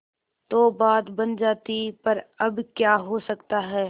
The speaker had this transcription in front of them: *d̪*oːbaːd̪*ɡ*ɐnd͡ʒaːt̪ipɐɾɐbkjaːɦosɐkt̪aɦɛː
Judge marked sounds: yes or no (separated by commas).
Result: no, no